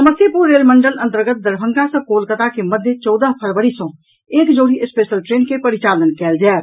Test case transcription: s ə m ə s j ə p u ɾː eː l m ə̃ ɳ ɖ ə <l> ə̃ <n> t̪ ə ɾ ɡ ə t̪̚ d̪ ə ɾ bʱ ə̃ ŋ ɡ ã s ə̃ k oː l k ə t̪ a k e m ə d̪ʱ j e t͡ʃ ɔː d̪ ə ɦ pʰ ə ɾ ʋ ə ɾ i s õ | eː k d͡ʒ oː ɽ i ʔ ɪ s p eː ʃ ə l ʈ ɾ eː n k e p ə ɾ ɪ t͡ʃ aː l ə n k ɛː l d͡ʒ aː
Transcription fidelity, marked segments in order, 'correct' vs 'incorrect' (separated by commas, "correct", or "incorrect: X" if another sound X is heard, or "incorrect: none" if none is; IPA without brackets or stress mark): correct, correct